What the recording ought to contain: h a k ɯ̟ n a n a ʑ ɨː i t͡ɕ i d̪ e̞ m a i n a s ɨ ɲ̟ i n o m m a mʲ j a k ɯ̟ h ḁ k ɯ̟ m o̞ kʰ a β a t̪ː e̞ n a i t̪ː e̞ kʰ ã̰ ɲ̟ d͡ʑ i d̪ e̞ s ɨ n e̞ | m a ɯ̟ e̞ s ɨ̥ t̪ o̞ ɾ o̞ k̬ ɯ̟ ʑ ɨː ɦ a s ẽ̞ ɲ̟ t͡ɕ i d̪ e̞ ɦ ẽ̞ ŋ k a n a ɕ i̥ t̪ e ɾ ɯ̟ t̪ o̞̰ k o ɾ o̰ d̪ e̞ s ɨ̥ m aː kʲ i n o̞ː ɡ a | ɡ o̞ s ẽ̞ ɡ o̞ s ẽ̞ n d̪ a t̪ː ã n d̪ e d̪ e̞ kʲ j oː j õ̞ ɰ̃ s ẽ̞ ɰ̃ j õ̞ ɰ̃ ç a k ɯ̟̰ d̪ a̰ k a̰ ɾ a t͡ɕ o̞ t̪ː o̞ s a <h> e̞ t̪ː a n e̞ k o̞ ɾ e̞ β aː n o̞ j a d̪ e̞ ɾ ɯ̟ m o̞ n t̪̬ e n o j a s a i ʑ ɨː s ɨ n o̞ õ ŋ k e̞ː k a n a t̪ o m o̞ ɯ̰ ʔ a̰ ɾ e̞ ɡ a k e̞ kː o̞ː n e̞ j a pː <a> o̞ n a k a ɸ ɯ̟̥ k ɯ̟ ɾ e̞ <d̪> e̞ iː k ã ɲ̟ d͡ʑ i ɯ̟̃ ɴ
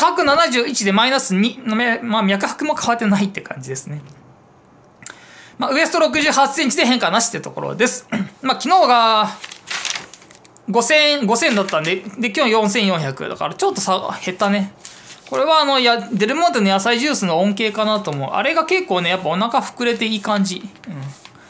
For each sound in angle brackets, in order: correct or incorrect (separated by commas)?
correct, correct, incorrect